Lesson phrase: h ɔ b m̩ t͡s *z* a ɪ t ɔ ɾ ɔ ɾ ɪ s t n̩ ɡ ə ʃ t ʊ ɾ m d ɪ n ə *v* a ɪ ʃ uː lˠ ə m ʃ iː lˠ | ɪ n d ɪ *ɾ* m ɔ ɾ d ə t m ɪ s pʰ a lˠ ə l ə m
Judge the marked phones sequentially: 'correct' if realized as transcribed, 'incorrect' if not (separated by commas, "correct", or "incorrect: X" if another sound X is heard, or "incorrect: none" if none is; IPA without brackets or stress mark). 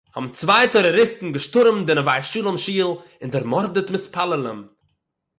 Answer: incorrect: v, correct, correct